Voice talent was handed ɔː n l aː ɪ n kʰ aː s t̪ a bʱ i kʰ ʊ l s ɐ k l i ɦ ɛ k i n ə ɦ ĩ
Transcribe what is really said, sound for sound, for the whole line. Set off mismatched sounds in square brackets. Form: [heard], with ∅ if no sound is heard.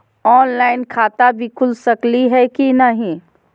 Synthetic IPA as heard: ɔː n l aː ɪ n kʰ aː [∅] t̪ a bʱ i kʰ ʊ l s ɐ k l i ɦ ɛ k i n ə ɦ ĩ